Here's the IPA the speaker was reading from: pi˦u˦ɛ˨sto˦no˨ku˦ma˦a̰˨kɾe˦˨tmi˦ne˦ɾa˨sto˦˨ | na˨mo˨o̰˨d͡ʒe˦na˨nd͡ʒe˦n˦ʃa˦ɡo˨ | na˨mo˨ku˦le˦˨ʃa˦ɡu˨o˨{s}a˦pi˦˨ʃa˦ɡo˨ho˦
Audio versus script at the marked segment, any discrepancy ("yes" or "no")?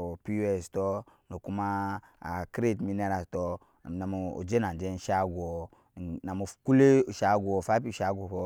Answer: yes